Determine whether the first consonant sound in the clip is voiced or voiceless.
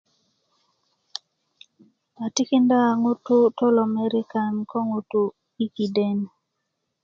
voiceless